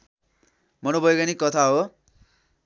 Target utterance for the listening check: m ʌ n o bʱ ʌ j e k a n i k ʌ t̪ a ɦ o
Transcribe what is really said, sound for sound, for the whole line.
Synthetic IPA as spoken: m ʌ n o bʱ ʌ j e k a n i k ʌ t̪ʰ a ɦ o